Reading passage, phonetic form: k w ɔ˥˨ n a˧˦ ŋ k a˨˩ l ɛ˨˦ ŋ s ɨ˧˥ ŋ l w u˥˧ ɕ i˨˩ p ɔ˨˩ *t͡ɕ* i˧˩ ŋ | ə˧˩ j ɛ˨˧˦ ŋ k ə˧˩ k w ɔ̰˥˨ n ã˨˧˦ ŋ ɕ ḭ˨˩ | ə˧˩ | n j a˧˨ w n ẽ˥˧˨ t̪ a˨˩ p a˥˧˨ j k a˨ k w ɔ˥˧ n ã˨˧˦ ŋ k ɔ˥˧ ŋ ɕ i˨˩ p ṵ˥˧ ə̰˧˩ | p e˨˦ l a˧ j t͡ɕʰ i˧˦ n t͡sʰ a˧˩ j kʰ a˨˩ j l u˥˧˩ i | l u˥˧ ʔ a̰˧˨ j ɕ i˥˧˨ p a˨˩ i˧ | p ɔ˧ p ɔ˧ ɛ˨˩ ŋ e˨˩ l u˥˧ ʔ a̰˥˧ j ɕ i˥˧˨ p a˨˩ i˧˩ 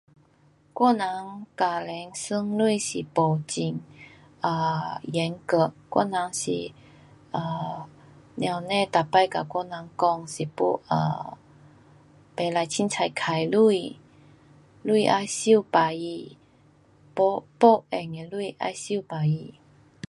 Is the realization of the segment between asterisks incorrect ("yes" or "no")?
no